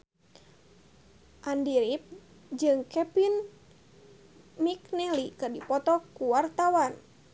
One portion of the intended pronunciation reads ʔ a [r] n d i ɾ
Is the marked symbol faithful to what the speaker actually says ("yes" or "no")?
no